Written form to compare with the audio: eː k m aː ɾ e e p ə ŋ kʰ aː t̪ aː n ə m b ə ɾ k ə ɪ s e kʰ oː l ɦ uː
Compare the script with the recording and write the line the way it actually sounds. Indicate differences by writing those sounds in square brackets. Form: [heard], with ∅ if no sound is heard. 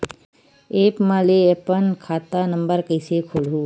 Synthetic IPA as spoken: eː [p] m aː [l] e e p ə [n] kʰ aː t̪ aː n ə m b ə ɾ k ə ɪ s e kʰ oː l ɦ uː